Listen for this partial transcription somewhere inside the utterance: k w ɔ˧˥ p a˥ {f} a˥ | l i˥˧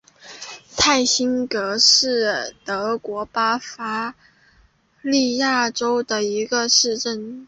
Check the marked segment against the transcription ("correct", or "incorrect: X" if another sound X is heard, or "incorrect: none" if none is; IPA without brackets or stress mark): correct